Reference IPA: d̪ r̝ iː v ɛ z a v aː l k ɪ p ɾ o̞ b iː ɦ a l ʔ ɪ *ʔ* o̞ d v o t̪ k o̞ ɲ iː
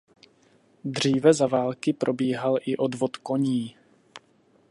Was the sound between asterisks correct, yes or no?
yes